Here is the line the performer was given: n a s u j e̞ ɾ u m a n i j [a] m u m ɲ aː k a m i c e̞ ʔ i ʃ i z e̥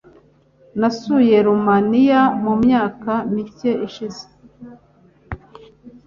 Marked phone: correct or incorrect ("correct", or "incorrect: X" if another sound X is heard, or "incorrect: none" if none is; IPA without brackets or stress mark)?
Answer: correct